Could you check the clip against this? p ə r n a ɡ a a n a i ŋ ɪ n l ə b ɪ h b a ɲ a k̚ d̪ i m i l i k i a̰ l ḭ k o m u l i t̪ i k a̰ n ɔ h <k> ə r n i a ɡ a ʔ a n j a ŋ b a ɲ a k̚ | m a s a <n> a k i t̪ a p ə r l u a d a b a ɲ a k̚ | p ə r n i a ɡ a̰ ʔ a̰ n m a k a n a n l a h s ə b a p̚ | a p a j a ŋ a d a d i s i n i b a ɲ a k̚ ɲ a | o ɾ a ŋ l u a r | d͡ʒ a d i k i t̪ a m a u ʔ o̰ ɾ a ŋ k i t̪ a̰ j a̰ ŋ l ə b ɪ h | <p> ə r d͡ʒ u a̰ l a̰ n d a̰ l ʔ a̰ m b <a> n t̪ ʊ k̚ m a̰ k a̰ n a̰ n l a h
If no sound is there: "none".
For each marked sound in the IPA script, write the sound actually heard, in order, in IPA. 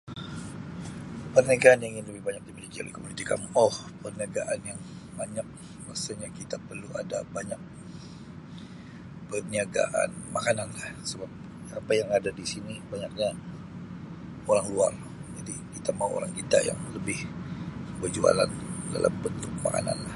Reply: p, ɲ, b, ə

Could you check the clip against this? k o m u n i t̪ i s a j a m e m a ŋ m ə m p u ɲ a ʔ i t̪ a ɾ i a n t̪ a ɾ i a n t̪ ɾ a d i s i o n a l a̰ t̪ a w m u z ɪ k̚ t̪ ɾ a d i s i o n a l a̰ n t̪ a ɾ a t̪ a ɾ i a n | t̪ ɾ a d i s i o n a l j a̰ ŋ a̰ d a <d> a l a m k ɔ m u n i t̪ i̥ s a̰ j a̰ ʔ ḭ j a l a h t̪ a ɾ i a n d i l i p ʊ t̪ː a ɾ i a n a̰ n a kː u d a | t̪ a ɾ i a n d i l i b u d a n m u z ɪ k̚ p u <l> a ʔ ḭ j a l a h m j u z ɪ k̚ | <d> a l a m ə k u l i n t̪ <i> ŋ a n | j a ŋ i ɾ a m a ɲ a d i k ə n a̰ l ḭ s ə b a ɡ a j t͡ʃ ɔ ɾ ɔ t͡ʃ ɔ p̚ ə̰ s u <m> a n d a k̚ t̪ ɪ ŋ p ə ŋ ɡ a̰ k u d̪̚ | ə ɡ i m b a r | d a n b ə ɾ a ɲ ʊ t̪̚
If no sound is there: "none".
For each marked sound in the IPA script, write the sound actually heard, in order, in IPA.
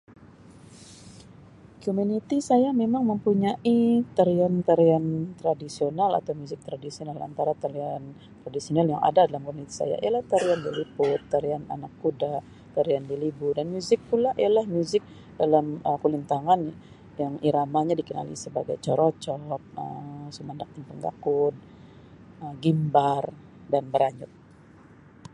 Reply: d, l, d, a, m

